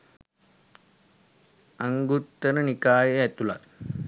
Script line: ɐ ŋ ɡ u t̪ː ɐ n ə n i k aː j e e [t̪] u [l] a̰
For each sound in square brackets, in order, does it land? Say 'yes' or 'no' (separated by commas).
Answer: yes, yes